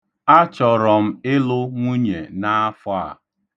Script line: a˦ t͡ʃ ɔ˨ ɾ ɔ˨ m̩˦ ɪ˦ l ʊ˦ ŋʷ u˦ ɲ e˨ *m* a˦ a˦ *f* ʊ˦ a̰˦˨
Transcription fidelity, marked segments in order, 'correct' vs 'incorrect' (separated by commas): incorrect, correct